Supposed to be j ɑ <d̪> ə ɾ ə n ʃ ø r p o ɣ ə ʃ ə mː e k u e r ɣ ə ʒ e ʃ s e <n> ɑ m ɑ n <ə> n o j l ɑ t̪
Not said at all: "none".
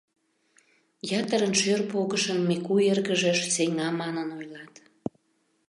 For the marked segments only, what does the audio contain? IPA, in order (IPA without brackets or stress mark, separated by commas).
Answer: t̪, ŋ, ə